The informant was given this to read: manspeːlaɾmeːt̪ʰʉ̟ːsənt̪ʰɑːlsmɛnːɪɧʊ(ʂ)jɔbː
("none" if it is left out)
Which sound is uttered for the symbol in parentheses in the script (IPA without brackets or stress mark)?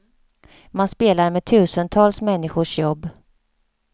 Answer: ʂ